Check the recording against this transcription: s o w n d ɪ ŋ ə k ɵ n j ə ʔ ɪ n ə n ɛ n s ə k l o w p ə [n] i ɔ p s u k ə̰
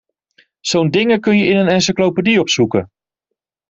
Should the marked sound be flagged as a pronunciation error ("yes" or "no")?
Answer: yes